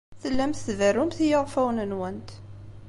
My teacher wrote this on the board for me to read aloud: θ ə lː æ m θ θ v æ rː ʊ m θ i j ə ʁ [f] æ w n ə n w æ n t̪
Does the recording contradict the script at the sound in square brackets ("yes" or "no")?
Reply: no